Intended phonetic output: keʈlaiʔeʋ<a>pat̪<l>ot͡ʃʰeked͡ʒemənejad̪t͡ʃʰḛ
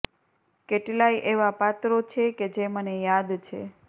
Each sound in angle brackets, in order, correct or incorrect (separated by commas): correct, incorrect